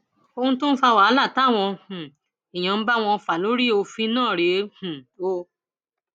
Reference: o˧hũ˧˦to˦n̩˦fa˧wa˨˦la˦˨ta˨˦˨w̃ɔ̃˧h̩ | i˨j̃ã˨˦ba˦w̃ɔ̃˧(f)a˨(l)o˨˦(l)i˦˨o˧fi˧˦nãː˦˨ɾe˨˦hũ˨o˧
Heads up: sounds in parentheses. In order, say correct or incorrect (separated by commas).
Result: correct, correct, incorrect